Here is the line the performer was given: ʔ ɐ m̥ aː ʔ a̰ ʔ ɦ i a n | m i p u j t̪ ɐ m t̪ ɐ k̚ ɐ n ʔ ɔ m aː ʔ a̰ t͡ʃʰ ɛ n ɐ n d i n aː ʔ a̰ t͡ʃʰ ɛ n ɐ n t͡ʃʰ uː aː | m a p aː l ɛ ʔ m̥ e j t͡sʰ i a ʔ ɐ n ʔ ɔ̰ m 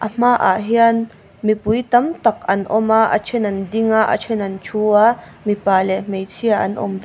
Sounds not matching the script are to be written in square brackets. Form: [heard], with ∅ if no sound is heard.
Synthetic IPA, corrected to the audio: ʔ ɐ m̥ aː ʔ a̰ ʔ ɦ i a n | m i p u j t̪ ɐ m t̪ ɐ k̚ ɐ n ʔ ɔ m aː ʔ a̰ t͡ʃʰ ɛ n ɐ n d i [ŋ] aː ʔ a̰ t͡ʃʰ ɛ n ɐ n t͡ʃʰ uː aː | m [i] p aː l ɛ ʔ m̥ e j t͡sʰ i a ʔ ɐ n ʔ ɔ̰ m